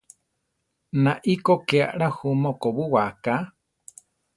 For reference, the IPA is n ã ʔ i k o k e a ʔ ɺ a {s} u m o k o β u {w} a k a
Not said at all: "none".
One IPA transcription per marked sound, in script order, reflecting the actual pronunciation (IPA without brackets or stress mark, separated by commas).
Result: h, w